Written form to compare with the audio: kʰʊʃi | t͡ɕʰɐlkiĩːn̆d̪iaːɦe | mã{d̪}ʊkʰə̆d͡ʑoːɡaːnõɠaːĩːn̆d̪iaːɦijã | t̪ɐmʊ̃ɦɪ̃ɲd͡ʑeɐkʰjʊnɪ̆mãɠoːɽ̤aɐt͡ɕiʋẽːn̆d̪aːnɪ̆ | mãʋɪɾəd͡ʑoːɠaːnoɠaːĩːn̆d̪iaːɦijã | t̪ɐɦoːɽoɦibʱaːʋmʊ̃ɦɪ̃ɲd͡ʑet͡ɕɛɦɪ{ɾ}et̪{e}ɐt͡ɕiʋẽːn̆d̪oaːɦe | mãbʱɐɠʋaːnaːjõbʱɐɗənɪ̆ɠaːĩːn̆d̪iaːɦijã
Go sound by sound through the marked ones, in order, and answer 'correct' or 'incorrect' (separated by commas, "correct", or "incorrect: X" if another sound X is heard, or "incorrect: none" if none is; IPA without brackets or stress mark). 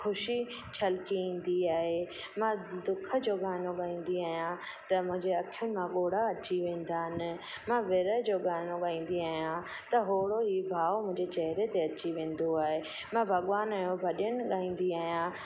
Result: correct, correct, correct